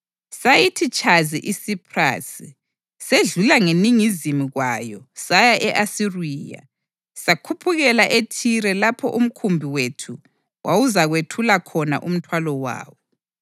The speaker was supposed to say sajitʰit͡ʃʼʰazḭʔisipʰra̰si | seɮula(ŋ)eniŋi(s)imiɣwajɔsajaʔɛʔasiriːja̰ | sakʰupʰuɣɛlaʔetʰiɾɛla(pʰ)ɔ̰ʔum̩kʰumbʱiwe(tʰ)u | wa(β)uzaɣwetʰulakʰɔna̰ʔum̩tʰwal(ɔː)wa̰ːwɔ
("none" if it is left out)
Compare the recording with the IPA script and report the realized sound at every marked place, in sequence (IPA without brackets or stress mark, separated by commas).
ŋ, z, pʰ, tʰ, w, ɔ